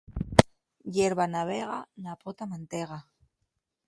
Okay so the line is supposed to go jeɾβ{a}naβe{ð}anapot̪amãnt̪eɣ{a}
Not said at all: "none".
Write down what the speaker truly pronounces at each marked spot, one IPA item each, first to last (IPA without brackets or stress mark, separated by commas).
a, ɣ, a